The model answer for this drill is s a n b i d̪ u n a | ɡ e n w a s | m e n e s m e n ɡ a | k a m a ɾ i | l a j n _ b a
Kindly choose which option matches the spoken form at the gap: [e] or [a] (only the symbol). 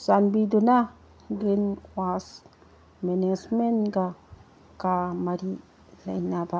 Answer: a